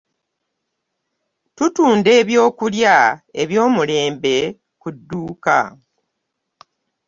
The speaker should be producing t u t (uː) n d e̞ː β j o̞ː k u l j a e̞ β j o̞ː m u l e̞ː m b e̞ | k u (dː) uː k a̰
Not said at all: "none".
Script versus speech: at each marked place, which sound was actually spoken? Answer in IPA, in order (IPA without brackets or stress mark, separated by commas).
uː, dː